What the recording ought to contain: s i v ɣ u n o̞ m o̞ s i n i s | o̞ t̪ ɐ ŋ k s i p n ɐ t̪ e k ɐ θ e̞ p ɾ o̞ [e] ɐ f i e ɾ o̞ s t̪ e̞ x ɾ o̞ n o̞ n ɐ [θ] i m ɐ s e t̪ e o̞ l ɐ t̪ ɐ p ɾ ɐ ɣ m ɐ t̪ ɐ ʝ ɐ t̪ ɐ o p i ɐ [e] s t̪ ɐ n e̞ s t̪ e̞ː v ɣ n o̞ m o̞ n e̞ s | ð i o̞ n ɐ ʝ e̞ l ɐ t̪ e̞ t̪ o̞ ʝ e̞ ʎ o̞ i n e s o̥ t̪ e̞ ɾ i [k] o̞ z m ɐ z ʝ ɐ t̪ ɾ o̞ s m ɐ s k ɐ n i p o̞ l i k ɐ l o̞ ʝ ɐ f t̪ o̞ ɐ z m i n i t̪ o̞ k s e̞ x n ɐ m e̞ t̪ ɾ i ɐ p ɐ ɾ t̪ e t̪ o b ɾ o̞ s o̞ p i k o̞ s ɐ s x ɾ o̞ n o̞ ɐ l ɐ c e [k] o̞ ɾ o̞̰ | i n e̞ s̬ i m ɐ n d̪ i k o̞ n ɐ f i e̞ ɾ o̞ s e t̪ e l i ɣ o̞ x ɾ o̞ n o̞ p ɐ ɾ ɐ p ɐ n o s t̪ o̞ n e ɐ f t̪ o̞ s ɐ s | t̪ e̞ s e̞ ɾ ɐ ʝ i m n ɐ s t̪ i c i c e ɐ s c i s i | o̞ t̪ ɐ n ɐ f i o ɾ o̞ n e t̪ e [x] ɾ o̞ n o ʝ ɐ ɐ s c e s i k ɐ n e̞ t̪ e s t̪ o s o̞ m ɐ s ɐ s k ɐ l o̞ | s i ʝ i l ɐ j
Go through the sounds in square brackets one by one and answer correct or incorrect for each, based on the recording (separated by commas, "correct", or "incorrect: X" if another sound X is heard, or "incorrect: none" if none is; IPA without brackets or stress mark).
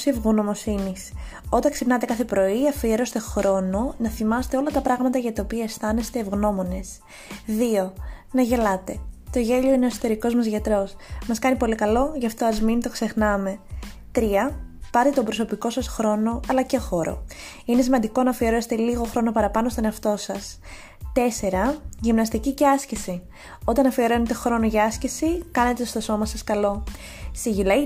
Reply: incorrect: i, correct, correct, correct, incorrect: x, correct